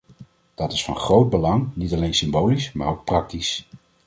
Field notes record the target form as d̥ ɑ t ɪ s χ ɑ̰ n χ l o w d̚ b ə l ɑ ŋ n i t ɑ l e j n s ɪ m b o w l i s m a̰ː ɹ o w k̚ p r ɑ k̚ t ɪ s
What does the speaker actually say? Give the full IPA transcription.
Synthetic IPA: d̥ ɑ t ɪ s f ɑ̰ n χ r o w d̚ b ə l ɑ ŋ n i t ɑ l e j n s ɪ m b o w l i s m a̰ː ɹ o w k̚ p r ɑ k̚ t i s